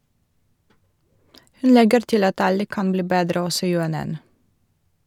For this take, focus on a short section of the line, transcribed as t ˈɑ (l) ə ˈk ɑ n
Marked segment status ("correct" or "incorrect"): correct